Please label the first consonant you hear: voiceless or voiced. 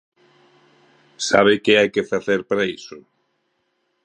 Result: voiceless